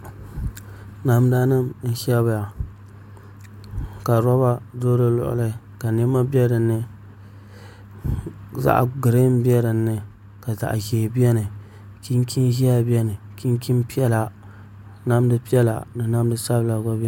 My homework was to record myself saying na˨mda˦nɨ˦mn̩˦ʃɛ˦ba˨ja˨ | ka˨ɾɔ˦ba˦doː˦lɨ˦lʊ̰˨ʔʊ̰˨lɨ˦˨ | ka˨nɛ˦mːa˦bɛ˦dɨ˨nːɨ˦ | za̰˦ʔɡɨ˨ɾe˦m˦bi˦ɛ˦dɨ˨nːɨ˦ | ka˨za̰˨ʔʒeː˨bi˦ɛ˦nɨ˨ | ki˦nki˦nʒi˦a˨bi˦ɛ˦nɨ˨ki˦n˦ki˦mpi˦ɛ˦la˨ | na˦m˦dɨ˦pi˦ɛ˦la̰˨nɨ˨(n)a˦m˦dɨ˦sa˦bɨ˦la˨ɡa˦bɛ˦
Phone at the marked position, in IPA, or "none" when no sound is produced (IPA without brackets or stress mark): n